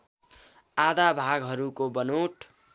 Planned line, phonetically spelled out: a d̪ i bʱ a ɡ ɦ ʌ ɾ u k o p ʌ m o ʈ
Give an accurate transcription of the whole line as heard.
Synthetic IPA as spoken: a d̪ a bʱ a ɡ ɦ ʌ ɾ u k o b ʌ n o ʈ